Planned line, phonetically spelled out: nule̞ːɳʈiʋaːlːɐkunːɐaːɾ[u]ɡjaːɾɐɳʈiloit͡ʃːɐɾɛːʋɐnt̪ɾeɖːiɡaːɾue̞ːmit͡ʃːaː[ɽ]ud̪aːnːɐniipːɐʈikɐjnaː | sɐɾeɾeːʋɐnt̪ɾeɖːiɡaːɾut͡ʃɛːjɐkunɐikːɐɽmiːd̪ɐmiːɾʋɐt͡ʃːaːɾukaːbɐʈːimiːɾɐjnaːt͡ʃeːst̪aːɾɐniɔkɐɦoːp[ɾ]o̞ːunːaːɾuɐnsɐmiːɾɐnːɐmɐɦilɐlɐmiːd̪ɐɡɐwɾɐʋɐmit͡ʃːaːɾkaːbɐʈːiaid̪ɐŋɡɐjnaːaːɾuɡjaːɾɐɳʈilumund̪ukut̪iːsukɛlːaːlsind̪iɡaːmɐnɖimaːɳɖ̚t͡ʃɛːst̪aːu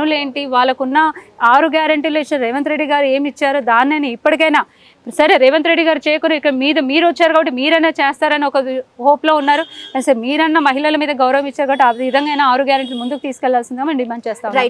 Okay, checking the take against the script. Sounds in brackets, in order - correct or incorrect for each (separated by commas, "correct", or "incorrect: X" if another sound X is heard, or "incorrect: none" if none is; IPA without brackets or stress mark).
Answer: correct, incorrect: ɾ, incorrect: l